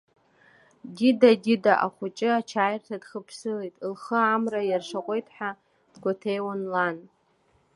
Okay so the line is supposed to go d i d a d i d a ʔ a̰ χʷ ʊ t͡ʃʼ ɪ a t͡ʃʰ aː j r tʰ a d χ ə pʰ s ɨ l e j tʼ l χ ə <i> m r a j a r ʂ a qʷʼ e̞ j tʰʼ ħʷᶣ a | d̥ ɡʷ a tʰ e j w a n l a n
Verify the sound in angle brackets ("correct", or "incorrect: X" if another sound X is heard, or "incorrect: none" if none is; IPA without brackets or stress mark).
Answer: incorrect: a